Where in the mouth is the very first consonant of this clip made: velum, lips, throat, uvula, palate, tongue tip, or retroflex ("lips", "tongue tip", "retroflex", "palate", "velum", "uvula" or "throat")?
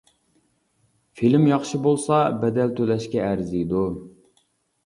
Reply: lips